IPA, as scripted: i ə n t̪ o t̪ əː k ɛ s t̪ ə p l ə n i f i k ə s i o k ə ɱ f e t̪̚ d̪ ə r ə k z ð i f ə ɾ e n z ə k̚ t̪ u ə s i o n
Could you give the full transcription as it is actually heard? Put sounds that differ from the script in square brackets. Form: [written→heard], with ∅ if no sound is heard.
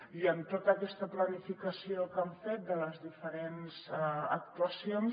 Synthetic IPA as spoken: i ə n t̪ o t̪ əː k ɛ s t̪ ə p l ə n i f i k ə s i o k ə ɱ f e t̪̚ d̪ ə [r→l] ə [k→∅] z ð i f ə ɾ e n z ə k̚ t̪ u ə s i o n